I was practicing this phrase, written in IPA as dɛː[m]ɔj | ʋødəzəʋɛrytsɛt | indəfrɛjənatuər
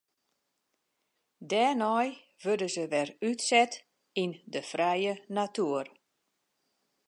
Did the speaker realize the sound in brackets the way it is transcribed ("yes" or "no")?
no